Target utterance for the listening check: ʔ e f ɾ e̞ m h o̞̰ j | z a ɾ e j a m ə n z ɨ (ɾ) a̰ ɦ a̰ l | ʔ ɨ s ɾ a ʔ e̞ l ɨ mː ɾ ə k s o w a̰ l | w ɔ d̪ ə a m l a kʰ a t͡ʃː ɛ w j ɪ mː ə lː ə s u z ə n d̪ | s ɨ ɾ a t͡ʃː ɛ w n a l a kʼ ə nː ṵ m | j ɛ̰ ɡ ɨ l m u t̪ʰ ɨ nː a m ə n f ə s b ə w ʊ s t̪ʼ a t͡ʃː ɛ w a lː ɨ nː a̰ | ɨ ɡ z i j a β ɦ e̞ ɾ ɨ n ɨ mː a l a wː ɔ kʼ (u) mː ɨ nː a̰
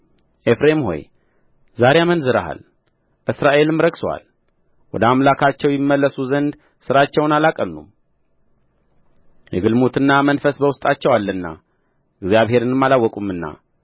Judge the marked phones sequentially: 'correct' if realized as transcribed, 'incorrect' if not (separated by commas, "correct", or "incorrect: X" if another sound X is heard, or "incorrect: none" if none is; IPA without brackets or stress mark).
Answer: correct, correct